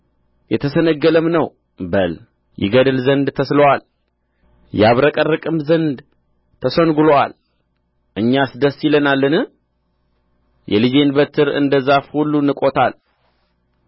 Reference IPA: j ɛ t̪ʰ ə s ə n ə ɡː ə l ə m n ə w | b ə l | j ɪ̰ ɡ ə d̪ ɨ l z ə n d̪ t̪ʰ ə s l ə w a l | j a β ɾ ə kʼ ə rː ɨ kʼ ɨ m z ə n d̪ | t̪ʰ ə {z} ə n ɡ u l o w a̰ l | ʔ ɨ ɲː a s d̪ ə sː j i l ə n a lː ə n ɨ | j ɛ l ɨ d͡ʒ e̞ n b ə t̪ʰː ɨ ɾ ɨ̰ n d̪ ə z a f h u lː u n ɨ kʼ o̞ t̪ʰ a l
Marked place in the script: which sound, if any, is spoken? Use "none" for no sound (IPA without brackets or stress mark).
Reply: s